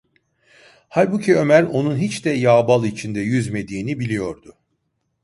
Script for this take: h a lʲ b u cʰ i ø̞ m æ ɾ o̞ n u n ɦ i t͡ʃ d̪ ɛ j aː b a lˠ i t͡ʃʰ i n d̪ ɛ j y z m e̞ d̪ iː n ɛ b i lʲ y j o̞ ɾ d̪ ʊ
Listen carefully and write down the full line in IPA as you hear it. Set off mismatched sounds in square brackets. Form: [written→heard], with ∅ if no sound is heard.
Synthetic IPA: h a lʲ b u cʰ i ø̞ m æ ɾ o̞ n u n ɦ i t͡ʃ d̪ ɛ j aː b a lˠ i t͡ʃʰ i n d̪ ɛ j y z m e̞ d̪ iː n [ɛ→i] b i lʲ [y→i] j o̞ ɾ d̪ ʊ